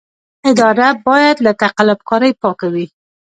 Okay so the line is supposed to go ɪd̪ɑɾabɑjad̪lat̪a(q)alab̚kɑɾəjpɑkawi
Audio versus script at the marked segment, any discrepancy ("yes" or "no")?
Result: no